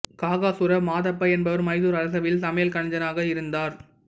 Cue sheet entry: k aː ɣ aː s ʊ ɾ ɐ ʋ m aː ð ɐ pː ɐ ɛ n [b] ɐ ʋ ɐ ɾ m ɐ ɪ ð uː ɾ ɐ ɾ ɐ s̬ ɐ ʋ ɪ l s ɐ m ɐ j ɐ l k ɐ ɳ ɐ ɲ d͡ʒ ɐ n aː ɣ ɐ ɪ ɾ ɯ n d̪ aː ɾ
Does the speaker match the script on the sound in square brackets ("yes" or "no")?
yes